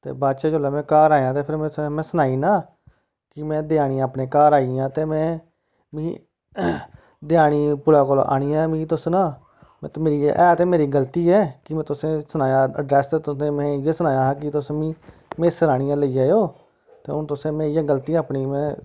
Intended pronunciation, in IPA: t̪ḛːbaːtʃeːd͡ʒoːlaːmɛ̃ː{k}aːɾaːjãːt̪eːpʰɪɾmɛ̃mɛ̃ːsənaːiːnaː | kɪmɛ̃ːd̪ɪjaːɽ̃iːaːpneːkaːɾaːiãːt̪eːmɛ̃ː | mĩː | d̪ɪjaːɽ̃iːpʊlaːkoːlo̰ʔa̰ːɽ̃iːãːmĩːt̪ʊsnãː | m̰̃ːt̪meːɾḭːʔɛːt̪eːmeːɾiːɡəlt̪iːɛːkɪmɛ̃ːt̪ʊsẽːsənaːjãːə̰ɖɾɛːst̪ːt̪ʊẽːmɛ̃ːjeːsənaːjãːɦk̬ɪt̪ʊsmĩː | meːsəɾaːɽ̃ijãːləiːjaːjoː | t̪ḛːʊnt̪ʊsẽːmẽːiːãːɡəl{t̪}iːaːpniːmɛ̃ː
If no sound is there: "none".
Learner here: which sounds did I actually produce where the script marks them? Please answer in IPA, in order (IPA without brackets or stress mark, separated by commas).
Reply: k, t̪